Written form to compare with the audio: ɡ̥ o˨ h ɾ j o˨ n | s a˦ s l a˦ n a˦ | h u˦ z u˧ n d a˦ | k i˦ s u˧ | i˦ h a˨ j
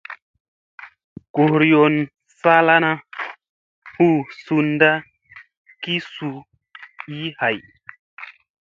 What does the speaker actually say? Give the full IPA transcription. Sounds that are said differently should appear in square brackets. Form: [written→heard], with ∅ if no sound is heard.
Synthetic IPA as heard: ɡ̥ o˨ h ɾ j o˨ n | s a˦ [s→∅] l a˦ n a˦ | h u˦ [z→s] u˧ n d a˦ | k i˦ s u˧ | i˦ h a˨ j